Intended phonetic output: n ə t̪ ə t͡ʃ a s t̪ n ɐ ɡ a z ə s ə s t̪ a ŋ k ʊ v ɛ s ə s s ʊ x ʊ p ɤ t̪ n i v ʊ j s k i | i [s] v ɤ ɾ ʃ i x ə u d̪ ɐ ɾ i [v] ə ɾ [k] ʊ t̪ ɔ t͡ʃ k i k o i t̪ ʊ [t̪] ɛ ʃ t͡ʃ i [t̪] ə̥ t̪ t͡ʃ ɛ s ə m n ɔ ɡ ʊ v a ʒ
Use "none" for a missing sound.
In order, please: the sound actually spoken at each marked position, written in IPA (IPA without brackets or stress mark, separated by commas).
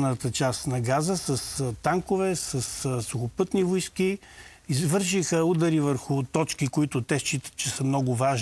z, v, x, t̪, t̪